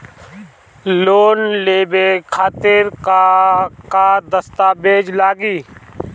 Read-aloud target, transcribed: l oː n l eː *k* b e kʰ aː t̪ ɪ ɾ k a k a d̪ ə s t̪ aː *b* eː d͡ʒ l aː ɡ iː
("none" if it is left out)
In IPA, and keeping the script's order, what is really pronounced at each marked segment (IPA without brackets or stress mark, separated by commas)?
none, b